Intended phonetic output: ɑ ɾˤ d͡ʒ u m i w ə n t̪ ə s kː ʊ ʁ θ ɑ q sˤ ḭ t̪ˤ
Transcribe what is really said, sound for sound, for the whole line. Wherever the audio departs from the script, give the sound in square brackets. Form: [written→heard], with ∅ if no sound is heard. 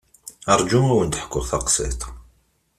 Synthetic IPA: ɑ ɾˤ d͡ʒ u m [i→æ] w ə n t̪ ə [s→ħ] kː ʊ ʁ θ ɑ q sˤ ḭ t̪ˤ